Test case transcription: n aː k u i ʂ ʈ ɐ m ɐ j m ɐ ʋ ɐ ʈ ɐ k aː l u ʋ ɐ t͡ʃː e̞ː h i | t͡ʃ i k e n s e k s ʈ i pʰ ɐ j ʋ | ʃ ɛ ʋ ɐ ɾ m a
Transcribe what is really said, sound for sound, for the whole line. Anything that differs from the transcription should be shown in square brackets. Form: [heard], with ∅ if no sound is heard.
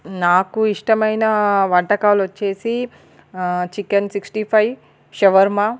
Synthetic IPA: n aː k u i ʂ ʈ ɐ m ɐ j [n] ɐ ʋ ɐ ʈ ɐ k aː l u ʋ ɐ t͡ʃː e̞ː [s] i | t͡ʃ i k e n s [i] k s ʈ i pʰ ɐ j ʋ | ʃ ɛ ʋ ɐ ɾ m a

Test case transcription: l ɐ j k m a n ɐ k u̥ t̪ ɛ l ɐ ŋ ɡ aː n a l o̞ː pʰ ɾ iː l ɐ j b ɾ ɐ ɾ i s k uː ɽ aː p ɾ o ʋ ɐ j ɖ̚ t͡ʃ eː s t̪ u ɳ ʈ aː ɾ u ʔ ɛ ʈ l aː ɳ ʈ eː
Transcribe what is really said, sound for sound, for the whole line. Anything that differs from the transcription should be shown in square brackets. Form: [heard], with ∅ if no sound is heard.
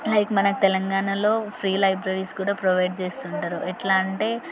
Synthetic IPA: l ɐ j k m [ɐ] n ɐ k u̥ t̪ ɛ l ɐ ŋ ɡ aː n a l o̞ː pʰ ɾ iː l ɐ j b ɾ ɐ ɾ i s k uː ɽ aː p ɾ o ʋ ɐ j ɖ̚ t͡ʃ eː s t̪ u ɳ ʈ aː ɾ u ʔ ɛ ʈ l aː ɳ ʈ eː

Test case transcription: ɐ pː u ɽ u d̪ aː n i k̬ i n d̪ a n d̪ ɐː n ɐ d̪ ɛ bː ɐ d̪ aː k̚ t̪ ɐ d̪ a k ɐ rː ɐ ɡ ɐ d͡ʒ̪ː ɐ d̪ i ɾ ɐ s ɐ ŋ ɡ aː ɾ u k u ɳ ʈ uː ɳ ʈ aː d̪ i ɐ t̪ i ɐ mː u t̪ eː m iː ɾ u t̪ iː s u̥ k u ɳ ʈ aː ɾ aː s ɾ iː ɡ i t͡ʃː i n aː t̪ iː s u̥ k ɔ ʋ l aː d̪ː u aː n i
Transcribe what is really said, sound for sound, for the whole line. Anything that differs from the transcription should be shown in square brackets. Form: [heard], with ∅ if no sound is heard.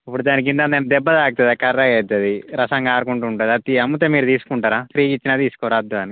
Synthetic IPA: ɐ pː u ɽ u d̪ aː n i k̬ i n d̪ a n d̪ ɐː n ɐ d̪ ɛ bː ɐ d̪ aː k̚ t̪ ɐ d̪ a k ɐ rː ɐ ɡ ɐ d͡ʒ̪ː ɐ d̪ i ɾ ɐ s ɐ ŋ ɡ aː ɾ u k u ɳ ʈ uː ɳ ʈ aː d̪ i ɐ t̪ i ɐ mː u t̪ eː m iː ɾ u t̪ iː s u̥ k u ɳ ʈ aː ɾ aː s ɾ iː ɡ i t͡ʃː i n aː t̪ iː s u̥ k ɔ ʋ [ɾ] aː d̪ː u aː n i

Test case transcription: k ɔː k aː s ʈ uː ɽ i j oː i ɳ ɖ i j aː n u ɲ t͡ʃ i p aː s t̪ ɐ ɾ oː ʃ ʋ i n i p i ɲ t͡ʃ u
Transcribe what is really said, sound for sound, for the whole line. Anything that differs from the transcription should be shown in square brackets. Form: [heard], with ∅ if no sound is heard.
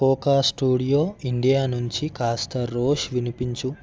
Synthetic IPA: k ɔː k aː s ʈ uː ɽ i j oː i ɳ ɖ i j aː n u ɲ t͡ʃ i [k] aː s t̪ ɐ ɾ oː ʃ ʋ i n i p i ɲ t͡ʃ u

